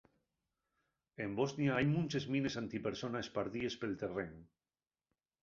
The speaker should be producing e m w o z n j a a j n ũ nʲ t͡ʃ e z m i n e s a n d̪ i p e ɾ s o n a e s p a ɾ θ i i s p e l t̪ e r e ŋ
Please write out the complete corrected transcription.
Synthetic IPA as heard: e m b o z n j a a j m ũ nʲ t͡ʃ e z m i n e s a n t̪ i p e ɾ s o n a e s p a ɾ ð i e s p e l t̪ e r e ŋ